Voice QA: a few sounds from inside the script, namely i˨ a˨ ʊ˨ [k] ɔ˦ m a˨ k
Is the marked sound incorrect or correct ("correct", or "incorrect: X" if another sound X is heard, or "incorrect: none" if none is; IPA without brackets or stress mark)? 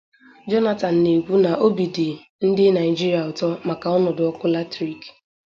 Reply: incorrect: t